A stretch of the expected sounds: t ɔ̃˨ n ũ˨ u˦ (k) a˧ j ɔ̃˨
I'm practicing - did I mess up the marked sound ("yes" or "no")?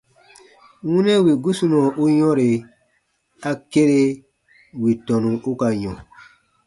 no